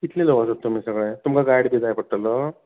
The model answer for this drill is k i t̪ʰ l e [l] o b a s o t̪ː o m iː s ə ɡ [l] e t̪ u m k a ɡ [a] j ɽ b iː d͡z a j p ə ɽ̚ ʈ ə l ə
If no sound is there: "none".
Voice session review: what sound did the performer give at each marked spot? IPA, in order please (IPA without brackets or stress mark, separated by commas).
l, ɭ, a